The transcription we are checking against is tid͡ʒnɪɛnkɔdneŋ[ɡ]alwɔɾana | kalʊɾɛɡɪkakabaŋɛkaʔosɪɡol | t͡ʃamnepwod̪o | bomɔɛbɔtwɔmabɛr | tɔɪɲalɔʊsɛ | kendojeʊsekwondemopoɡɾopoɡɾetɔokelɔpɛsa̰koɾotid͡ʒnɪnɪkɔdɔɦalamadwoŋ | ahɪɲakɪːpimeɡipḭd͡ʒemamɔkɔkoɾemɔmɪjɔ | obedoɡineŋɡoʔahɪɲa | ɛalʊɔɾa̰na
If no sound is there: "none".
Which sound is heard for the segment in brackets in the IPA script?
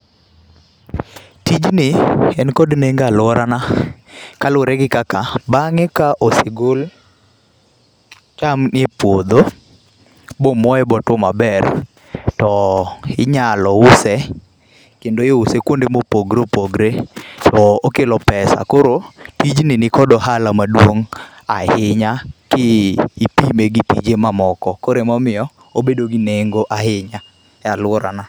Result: ɡ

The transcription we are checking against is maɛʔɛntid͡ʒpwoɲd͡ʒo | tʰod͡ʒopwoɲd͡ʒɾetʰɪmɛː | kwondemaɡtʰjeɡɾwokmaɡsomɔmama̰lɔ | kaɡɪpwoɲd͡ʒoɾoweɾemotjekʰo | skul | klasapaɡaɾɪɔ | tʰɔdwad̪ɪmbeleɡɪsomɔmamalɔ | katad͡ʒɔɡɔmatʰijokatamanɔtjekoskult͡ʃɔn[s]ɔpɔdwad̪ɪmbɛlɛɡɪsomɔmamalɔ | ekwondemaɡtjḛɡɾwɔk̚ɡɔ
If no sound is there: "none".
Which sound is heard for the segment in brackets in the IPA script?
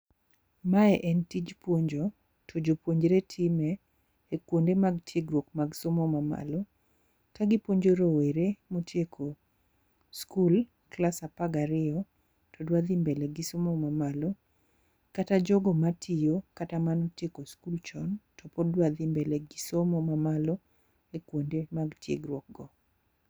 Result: t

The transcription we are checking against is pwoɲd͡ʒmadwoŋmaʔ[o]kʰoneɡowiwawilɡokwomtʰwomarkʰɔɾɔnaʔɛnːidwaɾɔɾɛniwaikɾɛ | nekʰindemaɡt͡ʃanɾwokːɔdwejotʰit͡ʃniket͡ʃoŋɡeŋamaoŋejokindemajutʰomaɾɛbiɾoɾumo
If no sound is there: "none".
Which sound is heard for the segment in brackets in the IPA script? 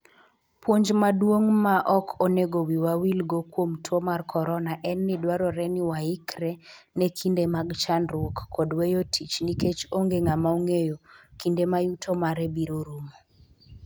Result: ɔ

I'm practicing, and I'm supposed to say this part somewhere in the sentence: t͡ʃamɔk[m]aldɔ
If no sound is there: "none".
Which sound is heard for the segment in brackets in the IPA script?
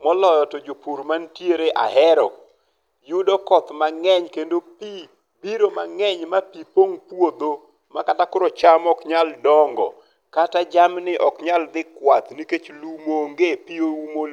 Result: ɲ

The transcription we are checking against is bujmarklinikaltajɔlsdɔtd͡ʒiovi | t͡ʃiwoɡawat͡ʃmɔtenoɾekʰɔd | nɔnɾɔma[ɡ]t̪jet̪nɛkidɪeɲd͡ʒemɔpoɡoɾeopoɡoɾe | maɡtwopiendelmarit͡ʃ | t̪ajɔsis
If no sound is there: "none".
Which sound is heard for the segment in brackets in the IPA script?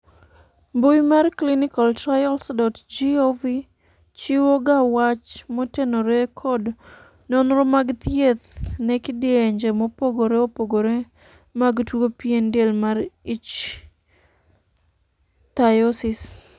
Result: ɡ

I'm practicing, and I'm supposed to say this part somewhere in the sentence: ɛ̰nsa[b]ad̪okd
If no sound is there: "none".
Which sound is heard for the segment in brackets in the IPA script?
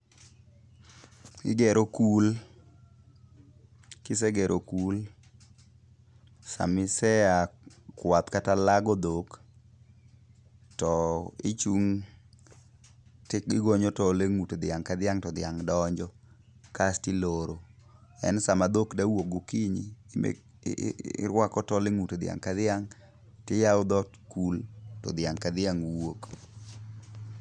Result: m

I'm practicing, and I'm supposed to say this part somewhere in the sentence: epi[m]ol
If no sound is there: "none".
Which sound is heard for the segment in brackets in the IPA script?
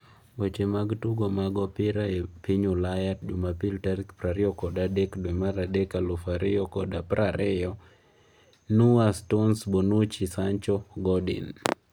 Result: ɲ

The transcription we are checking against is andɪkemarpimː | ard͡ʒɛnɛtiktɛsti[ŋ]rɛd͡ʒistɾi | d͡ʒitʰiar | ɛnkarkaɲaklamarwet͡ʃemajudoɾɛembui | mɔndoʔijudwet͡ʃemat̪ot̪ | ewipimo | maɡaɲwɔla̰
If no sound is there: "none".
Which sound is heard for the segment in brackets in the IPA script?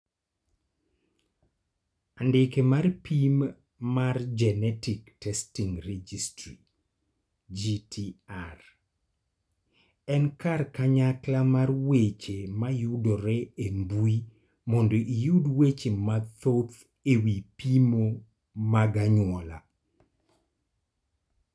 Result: ŋ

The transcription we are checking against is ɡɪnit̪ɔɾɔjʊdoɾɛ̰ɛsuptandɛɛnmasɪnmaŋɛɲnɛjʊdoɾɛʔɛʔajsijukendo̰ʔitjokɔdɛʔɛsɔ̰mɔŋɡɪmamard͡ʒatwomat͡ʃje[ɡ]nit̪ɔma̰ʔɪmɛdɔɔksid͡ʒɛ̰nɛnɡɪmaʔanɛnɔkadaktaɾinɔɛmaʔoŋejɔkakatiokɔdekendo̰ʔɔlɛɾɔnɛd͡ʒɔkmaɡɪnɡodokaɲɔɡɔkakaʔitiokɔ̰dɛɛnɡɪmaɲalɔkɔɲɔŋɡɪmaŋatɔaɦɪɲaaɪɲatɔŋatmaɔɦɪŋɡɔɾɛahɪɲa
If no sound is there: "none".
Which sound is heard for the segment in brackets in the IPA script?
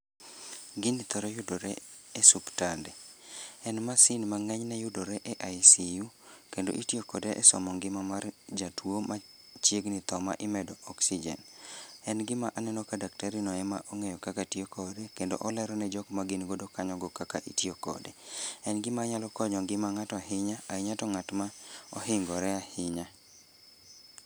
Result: ɡ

